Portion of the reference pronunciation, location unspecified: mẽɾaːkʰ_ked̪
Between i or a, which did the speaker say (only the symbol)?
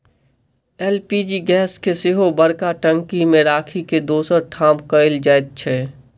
i